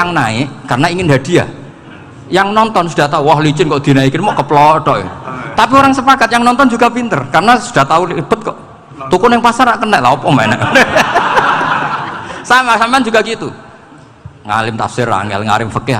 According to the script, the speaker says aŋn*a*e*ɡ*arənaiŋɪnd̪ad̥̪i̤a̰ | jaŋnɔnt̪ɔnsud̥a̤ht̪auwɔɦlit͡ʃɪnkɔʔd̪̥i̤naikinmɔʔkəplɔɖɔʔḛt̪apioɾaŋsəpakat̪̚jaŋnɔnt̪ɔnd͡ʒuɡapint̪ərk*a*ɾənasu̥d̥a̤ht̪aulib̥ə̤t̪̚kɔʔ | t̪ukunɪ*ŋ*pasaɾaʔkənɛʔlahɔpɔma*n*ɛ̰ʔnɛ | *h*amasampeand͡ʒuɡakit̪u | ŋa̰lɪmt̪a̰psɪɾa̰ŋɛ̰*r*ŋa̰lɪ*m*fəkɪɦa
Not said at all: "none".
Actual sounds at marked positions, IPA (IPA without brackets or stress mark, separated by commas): a, k, a, ŋ, n, s, l, m